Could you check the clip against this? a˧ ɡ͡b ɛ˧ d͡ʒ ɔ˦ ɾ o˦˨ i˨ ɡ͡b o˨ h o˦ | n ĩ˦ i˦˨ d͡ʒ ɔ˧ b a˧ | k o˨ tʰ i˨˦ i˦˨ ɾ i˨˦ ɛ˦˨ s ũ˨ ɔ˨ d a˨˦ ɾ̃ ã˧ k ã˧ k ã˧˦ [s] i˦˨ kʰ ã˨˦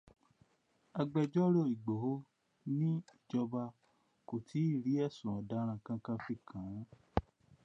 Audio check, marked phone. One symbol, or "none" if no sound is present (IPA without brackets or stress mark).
f